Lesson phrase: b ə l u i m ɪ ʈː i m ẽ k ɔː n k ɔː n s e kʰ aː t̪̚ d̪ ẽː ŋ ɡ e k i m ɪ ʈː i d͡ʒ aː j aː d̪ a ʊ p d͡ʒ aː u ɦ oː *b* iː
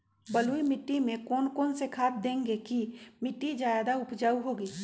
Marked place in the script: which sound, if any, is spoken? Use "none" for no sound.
ɡ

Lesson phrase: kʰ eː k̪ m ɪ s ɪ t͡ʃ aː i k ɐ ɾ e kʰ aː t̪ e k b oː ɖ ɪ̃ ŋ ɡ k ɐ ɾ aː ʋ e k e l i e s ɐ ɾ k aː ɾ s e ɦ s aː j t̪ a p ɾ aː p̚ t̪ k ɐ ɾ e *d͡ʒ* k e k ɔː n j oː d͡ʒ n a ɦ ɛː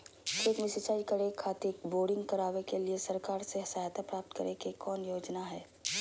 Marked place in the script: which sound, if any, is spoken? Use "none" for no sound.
none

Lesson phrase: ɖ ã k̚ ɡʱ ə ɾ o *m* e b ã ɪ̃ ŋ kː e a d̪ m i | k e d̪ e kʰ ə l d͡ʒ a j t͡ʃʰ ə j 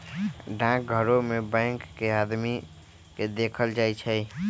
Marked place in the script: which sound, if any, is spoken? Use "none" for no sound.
m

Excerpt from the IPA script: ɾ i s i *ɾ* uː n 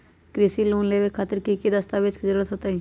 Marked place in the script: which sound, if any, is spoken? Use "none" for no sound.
l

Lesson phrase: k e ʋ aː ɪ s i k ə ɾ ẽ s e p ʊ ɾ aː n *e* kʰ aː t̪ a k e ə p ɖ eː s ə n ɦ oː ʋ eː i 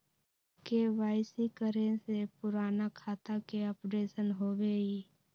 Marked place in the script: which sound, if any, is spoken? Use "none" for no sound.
a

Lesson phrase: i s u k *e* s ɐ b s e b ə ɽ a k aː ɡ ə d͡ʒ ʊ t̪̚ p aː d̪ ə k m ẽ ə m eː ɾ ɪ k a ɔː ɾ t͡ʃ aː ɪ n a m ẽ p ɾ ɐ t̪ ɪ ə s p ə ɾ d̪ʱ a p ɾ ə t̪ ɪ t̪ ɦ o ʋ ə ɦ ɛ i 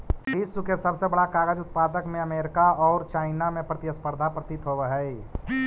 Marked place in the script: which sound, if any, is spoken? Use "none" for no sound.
e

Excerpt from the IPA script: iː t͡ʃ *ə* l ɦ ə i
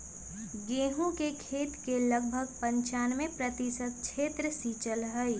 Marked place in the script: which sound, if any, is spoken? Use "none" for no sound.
ə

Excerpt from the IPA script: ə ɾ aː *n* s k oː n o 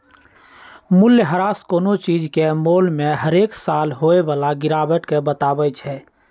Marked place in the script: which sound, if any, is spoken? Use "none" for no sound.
none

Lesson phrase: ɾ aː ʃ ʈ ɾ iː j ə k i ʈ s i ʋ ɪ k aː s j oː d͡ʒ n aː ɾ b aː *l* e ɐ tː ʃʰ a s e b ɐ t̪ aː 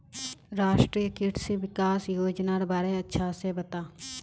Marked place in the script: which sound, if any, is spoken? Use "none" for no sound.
ɾ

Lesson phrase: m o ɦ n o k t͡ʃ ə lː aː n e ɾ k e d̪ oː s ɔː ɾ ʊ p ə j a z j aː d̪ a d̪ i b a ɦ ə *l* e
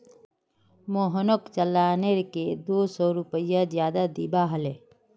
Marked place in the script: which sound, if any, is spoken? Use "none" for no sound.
l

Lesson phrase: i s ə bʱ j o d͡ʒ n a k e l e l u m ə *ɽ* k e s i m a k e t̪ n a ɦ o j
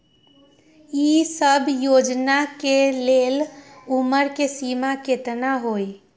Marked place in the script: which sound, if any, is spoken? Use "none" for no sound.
ɾ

